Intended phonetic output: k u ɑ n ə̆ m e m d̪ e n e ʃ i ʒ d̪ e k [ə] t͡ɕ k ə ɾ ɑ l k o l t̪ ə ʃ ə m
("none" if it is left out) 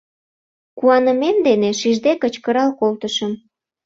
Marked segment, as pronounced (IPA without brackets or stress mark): ə